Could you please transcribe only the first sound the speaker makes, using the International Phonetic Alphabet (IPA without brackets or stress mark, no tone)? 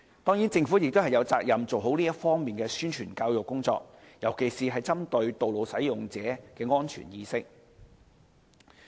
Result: t̪